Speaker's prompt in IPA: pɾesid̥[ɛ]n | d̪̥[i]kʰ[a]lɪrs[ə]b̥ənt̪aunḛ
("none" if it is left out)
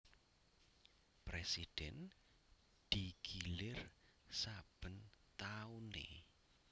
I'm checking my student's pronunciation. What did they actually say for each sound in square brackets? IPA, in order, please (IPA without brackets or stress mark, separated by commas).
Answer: ɛ, i, i, a